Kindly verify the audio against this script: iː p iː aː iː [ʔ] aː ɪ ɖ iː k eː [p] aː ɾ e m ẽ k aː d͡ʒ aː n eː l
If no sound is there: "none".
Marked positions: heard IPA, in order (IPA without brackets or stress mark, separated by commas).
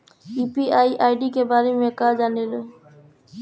ʔ, b